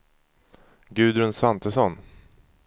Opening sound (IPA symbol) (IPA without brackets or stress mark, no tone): ɡ